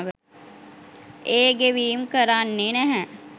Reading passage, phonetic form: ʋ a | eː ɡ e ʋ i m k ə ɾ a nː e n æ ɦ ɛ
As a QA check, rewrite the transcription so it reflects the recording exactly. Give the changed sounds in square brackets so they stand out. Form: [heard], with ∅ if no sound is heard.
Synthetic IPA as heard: ʋ [ə] | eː ɡ e ʋ [iː] m k ə ɾ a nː e n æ ɦ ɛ